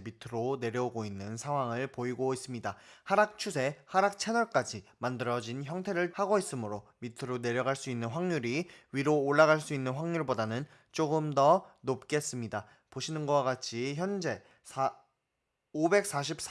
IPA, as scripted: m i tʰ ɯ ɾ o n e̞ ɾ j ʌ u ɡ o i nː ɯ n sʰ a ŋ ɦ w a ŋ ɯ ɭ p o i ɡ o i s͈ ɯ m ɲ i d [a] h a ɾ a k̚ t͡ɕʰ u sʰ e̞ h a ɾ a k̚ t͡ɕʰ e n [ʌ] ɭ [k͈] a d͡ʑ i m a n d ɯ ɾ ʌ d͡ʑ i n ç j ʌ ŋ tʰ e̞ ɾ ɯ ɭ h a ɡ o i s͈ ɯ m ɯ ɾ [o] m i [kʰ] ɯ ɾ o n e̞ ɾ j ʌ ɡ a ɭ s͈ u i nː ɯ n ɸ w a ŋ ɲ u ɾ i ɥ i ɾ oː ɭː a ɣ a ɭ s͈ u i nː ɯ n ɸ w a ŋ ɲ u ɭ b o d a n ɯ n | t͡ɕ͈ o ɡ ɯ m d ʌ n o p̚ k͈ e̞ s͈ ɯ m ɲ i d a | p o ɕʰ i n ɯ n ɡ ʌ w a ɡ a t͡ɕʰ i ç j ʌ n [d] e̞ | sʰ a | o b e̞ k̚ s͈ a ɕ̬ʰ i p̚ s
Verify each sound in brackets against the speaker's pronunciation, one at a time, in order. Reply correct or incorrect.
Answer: correct, correct, correct, correct, incorrect: tʰ, incorrect: d͡ʑ

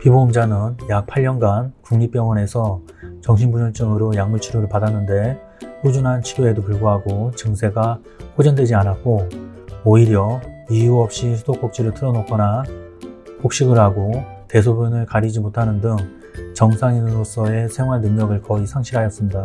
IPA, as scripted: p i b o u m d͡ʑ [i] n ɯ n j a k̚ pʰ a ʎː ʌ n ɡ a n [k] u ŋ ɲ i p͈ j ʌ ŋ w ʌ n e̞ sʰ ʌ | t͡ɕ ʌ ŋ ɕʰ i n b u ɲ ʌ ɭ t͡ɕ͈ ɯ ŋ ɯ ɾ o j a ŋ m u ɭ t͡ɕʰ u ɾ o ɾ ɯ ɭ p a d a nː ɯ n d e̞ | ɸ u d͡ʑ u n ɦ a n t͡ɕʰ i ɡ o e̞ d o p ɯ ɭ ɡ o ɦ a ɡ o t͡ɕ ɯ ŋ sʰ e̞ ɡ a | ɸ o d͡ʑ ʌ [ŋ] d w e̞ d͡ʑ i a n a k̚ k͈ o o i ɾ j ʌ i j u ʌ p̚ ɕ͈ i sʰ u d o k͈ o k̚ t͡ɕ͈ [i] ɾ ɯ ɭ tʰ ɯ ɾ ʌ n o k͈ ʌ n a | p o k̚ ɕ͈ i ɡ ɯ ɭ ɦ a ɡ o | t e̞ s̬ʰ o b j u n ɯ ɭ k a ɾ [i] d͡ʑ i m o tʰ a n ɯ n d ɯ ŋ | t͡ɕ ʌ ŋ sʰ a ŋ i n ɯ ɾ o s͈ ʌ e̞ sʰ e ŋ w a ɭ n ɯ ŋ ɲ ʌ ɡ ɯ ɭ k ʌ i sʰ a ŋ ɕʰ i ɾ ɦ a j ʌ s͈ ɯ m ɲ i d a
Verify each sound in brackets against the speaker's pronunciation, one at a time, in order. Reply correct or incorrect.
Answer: incorrect: a, correct, incorrect: n, correct, correct

